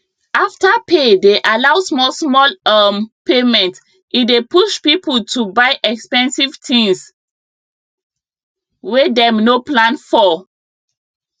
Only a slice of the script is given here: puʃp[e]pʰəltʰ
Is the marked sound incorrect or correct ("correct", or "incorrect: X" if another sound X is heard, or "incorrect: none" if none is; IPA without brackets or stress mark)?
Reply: incorrect: i